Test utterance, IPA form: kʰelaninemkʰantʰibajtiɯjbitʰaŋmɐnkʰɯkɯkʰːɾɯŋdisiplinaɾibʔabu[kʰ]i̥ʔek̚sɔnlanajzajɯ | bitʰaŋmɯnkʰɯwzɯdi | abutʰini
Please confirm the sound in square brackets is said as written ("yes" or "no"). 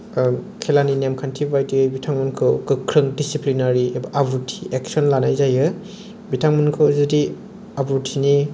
no